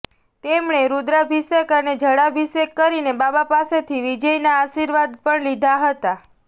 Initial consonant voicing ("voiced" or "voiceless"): voiceless